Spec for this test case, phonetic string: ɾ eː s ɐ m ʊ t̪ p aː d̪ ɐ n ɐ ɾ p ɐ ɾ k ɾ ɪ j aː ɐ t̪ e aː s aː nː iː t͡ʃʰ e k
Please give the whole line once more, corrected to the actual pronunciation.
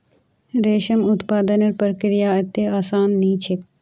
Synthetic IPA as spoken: ɾ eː ʃ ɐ m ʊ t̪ p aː d̪ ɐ n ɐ ɾ p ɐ ɾ k ɾ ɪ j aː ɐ t̪ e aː s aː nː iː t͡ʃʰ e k